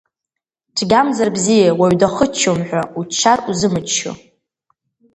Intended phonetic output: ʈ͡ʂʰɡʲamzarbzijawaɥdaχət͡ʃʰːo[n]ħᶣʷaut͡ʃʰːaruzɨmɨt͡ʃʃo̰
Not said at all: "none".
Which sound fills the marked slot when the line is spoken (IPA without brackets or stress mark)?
m